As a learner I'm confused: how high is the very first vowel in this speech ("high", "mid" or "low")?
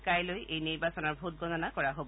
low